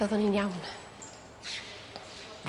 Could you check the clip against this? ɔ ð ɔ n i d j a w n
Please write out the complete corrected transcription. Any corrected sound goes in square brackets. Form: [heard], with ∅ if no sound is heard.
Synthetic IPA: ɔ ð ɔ n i [n] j a w n